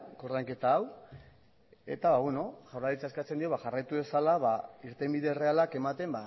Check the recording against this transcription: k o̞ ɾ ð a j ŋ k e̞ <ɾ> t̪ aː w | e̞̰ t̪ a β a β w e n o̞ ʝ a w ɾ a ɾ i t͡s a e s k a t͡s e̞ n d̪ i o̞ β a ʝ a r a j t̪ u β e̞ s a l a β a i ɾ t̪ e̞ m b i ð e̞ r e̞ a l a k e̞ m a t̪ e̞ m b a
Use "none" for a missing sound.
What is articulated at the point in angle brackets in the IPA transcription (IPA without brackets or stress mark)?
none